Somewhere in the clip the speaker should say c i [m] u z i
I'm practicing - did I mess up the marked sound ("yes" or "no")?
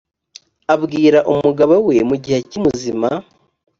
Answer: no